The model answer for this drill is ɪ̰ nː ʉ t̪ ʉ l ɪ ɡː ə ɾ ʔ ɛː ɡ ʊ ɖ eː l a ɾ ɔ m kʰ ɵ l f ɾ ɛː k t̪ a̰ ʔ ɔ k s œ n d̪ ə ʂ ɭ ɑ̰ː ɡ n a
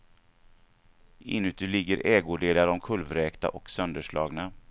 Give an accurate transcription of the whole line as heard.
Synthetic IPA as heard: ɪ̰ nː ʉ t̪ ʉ l ɪ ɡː ə ɾ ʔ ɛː ɡ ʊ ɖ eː l a ɾ ɔ m kʰ ɵ l v ɾ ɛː k t̪ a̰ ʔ ɔ k s œ n d̪ ə ʂ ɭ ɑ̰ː ɡ n a

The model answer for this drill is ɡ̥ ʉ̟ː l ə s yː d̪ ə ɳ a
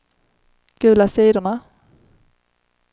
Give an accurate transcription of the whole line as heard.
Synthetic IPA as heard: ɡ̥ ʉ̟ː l a s iː d̪ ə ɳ a

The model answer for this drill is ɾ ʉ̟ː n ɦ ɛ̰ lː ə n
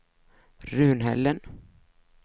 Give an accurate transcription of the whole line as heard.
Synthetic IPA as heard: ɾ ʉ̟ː n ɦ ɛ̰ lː ə n

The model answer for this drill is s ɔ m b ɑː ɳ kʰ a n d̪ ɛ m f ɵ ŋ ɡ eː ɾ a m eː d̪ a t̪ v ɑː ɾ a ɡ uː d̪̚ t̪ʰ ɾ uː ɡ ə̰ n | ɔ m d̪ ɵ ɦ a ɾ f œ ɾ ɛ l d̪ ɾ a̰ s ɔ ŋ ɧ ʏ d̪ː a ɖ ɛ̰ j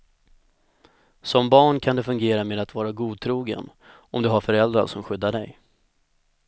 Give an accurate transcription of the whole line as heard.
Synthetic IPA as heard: s ɔ m b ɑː ɳ kʰ a n d̪ ɛ f ɵ ŋ ɡ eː ɾ a m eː d̪ a t̪ v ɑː ɾ a ɡ uː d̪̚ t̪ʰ ɾ uː ɡ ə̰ n | ɔ m d̪ ɵ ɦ a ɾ f œ ɾ ɛ l d̪ ɾ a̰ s ɔ m ɧ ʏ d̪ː a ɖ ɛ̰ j

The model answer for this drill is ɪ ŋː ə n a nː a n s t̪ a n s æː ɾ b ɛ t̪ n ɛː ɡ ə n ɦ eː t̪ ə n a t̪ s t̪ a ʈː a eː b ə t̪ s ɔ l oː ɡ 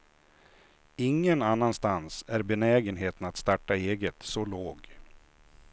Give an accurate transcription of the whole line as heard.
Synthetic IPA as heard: ɪ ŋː ə n a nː a n s t̪ a n s æ ɾ b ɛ n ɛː ɡ ə n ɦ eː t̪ ə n a t̪ s t̪ a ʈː a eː ɡ ə t̪ s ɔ l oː ɡ

